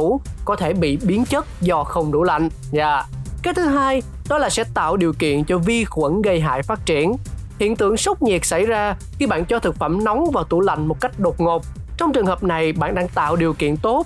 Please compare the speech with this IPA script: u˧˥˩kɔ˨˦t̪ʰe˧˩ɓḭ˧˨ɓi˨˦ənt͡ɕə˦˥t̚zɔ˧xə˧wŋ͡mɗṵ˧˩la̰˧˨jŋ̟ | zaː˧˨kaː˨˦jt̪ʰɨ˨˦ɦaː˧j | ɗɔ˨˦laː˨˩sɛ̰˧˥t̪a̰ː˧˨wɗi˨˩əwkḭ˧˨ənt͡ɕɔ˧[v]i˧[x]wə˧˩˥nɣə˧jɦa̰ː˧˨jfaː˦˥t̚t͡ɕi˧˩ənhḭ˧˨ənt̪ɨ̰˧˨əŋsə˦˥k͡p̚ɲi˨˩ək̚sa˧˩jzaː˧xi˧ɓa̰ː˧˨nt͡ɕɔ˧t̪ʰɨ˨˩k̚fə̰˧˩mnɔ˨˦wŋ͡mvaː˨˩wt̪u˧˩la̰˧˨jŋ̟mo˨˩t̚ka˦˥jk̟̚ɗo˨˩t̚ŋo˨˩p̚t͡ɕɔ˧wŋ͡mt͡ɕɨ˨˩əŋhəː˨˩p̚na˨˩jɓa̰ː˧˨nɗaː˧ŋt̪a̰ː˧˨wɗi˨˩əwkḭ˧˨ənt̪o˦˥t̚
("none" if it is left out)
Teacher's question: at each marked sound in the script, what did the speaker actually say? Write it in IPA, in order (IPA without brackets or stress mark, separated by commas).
v, x